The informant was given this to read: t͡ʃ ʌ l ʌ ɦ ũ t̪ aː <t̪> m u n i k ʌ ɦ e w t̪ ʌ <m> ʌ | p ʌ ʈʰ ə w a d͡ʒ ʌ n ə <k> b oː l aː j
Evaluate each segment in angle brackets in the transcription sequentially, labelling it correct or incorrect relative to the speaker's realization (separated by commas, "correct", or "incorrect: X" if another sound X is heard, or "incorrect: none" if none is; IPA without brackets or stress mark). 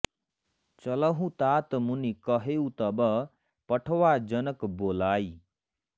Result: correct, incorrect: b, correct